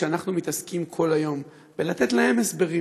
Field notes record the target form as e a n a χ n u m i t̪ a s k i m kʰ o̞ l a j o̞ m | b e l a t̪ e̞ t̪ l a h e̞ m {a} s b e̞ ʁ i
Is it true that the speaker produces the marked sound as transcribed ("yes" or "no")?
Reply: no